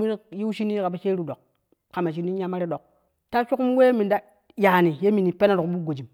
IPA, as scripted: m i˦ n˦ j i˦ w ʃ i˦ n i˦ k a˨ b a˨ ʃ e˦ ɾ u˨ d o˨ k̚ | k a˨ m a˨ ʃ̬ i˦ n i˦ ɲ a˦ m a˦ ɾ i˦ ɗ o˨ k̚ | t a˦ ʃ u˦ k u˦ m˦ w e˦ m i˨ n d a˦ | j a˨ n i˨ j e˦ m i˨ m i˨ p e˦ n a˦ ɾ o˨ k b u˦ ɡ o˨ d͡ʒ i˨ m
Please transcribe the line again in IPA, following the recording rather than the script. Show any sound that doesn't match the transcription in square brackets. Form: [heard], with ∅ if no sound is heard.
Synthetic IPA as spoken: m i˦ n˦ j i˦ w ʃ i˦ n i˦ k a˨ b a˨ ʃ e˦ ɾ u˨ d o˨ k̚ | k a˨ m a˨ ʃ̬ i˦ n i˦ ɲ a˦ m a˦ ɾ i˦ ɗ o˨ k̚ | t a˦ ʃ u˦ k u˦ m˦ w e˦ m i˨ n d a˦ | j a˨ n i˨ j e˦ m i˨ [n] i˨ p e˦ n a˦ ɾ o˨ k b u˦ ɡ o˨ d͡ʒ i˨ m